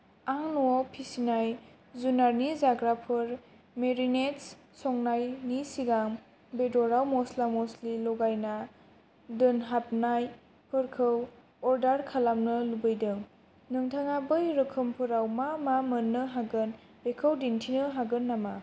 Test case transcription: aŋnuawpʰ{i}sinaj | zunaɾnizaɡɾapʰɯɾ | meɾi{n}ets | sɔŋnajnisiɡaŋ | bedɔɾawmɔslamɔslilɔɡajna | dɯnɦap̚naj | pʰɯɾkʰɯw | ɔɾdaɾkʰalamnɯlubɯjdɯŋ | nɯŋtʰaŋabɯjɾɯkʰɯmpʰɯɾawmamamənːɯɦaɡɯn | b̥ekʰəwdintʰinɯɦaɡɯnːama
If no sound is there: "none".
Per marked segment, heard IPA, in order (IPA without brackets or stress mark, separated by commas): i, n